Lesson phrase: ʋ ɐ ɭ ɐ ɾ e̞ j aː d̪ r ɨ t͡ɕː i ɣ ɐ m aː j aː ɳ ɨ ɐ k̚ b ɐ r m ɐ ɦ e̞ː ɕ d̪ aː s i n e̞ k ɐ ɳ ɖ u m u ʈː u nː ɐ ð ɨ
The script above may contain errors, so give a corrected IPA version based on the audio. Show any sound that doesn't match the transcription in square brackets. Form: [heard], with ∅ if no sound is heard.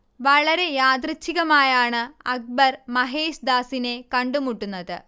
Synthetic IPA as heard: ʋ ɐ ɭ ɐ ɾ e̞ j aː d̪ r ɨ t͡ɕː i ɣ ɐ m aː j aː ɳ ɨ ɐ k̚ b ɐ r m ɐ ɦ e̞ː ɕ d̪ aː s i n e̞ k ɐ ɳ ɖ u m u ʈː u nː ɐ ð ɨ